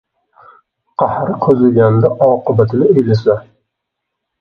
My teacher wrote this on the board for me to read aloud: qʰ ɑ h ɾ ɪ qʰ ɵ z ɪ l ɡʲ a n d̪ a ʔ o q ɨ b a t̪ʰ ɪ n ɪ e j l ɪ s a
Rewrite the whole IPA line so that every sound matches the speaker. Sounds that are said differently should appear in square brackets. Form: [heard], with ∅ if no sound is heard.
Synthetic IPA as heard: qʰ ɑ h ɾ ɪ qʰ ɵ z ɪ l ɡʲ a n d̪ a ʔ [ɒ] q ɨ b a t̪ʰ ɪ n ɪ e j l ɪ s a

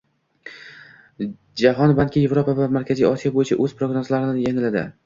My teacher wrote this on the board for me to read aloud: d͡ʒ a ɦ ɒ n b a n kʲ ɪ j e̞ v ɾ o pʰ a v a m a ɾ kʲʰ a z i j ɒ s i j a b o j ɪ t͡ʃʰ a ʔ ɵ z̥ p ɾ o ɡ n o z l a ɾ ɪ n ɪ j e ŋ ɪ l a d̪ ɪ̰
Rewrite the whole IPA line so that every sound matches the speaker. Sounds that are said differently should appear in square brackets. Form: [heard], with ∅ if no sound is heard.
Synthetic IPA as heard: d͡ʒ a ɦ ɒ n b a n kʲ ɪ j e̞ v ɾ o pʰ a v a m a ɾ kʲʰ a z i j ɒ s i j a b o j ɪ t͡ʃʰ a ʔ ɵ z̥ p ɾ o ɡ n o z l a ɾ ɪ n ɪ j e ŋ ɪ l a d̪ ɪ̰

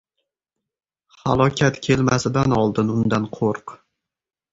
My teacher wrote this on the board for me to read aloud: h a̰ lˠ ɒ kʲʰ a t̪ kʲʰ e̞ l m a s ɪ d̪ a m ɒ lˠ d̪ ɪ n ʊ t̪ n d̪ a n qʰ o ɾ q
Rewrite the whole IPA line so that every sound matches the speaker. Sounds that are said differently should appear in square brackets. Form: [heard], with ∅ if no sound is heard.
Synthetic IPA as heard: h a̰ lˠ ɒ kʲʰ a t̪ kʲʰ e̞ l m a s ɪ d̪ a [n] ɒ lˠ d̪ ɪ n ʊ [∅] n d̪ a n qʰ o ɾ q

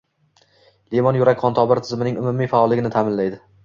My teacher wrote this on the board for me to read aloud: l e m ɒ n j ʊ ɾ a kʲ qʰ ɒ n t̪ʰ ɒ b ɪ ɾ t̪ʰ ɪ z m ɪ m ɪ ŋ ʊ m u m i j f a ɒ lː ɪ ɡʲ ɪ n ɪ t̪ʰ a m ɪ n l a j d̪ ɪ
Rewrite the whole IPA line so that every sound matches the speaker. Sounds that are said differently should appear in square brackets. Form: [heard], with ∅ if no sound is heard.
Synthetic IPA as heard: l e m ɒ n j ʊ ɾ a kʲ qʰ ɒ n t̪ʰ ɒ b ɪ ɾ t̪ʰ ɪ z m ɪ [n] ɪ ŋ ʊ m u m i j f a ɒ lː ɪ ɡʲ ɪ n ɪ t̪ʰ a m ɪ n l a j d̪ ɪ

